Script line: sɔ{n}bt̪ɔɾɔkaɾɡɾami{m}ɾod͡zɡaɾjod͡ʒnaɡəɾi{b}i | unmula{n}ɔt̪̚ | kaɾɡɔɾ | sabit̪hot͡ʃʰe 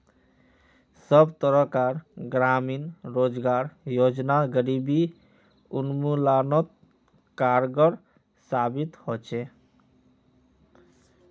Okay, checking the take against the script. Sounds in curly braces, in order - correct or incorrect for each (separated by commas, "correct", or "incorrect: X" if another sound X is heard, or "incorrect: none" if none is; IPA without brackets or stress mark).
incorrect: none, incorrect: n, correct, correct